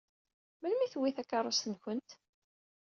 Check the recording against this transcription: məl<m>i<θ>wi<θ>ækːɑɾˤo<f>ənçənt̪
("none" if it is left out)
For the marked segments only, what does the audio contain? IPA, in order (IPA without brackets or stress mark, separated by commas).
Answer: m, θ, θ, s